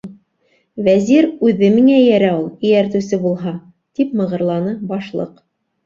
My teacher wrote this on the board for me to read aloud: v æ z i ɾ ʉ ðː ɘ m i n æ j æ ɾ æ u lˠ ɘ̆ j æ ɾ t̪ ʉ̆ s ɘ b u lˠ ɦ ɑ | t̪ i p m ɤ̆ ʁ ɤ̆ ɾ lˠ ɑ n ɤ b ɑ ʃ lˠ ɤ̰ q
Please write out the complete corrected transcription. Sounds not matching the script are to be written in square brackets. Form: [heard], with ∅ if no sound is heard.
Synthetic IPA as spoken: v æ z i ɾ ʉ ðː ɘ m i [ŋ] æ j æ ɾ æ u lˠ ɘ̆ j æ ɾ t̪ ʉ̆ s ɘ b u lˠ ɦ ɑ | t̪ i p m ɤ̆ ʁ ɤ̆ ɾ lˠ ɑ n ɤ b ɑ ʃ lˠ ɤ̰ q